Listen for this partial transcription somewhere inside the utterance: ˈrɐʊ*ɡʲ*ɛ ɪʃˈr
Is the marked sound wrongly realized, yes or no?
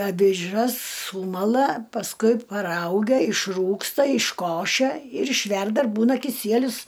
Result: no